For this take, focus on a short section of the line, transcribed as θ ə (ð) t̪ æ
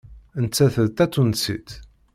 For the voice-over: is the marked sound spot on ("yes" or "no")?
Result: yes